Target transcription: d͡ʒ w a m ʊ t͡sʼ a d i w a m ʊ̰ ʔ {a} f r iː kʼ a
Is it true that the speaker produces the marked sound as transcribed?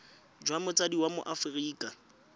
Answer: yes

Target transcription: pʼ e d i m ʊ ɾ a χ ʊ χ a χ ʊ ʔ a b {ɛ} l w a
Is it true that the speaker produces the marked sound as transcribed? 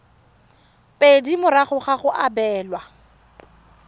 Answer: no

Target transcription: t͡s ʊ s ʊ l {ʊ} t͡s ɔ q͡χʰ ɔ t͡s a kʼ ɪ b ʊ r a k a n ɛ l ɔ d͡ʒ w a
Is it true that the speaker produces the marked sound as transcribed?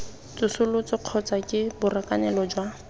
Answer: yes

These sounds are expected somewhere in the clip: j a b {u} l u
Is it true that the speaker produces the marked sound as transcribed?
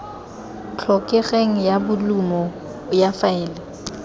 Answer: no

